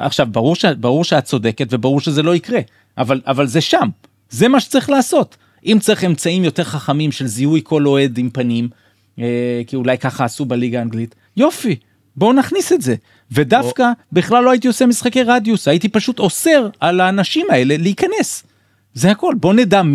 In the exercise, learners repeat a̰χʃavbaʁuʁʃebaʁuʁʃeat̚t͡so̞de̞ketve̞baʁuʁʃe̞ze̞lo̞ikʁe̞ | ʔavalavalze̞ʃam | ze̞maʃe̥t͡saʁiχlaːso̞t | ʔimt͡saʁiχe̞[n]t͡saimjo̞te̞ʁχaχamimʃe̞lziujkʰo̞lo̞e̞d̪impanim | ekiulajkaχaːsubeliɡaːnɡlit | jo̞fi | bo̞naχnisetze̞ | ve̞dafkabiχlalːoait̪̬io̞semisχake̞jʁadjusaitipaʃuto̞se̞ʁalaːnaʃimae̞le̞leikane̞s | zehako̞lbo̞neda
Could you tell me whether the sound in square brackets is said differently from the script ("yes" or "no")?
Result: yes